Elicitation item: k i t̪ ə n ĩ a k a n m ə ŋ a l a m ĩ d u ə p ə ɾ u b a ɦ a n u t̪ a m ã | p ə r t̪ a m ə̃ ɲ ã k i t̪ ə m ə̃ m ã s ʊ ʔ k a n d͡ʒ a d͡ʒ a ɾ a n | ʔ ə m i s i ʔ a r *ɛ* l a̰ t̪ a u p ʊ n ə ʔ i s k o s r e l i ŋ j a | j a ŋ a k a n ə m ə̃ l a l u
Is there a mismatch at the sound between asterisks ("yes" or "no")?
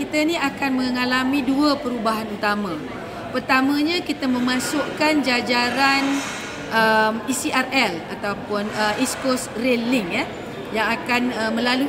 no